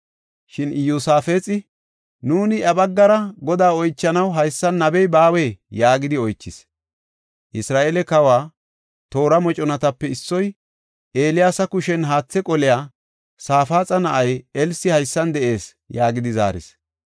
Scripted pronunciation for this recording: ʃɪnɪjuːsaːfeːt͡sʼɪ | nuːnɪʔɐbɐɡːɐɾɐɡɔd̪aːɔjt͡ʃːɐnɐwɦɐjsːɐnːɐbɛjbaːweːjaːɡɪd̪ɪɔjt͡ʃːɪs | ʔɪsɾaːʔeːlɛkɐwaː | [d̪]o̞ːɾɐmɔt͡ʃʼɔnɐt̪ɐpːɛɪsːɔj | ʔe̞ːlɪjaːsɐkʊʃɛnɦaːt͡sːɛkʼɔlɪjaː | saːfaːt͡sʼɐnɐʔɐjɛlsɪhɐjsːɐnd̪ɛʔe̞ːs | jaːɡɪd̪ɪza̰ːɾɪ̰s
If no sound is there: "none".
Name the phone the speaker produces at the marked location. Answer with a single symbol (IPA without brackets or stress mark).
t̪